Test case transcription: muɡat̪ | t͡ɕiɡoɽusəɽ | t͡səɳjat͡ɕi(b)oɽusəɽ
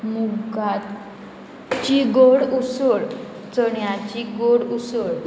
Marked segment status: incorrect: ɡ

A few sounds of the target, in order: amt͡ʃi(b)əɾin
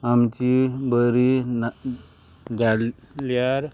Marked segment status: correct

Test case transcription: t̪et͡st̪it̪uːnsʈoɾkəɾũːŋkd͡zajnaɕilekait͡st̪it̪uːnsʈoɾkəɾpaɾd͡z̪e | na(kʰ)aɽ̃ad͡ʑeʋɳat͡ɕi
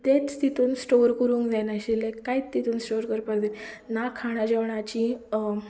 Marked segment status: correct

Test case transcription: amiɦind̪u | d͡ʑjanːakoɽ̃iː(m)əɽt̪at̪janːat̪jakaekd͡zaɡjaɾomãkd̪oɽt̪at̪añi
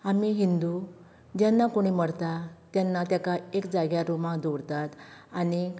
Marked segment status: correct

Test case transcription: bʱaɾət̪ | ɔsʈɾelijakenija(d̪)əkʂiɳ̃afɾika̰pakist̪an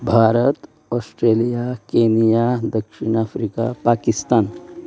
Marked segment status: correct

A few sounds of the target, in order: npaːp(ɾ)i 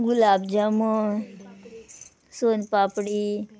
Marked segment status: incorrect: ɽ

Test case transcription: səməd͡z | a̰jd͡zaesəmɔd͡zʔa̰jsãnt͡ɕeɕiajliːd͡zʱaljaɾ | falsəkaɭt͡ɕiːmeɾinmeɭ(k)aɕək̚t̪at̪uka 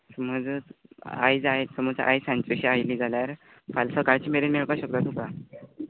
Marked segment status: correct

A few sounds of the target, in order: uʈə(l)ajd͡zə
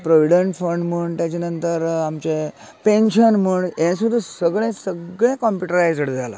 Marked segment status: incorrect: ɾ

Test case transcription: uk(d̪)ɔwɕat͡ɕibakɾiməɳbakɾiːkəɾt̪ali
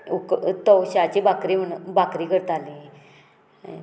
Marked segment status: incorrect: t̪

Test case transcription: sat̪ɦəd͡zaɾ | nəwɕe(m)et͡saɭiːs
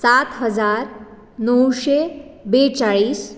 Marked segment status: incorrect: b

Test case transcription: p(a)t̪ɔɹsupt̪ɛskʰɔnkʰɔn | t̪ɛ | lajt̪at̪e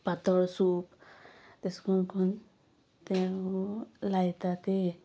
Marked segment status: correct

